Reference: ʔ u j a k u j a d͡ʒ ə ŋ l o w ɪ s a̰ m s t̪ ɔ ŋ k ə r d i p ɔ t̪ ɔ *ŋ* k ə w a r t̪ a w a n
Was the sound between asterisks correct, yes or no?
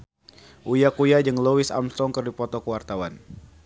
no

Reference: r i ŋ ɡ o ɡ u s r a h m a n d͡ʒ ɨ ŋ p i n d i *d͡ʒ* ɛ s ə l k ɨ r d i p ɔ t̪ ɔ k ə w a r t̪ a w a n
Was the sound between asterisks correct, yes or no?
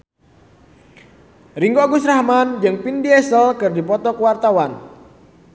no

